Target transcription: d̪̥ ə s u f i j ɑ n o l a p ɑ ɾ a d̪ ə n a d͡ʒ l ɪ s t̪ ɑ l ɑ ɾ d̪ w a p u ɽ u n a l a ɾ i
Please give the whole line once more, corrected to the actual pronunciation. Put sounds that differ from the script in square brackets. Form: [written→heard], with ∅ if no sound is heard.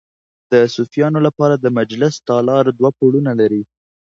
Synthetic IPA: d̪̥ ə s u f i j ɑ n o l a p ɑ ɾ a d̪ ə [n→m] a d͡ʒ l ɪ s t̪ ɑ l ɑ ɾ d̪ w a p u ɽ u n a l a ɾ i